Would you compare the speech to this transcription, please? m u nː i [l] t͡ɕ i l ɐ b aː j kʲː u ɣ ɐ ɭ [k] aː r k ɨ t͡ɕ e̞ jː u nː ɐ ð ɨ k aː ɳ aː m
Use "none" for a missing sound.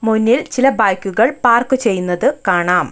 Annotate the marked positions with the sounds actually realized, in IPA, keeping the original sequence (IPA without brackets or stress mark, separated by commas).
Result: l, p